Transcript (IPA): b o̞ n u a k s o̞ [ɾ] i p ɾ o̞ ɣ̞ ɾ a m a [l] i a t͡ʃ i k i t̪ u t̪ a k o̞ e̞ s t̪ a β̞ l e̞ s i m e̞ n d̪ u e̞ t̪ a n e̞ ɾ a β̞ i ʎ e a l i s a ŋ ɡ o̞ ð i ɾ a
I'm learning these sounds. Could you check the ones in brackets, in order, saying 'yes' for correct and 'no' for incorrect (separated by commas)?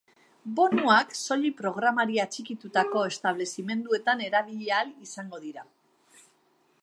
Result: no, no